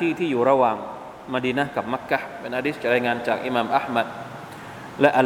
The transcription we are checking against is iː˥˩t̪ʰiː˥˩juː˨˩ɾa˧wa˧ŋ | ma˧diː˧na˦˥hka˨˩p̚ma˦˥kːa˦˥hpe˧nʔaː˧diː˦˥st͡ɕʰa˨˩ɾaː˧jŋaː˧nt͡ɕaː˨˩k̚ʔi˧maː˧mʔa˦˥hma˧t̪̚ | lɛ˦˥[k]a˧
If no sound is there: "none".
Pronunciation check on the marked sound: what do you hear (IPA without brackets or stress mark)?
ʔ